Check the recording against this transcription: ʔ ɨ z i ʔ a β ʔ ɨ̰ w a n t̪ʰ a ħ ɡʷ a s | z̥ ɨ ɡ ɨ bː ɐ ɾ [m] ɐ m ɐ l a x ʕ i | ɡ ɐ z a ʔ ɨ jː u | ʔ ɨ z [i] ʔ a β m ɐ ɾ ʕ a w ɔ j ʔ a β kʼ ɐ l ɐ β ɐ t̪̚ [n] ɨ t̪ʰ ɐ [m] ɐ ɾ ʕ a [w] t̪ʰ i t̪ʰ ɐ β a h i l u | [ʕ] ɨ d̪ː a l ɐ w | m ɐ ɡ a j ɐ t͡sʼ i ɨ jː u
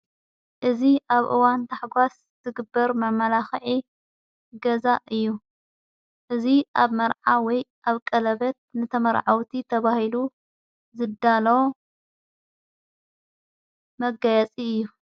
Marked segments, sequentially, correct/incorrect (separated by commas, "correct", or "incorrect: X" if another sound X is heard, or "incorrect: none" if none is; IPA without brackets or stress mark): correct, correct, correct, correct, correct, incorrect: z